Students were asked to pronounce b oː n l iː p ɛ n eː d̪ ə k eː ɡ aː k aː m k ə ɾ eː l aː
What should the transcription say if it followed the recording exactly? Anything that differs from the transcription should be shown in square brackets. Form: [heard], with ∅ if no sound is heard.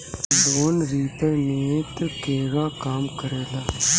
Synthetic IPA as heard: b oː n [ɾ] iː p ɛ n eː [t̪] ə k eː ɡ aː k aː m k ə ɾ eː l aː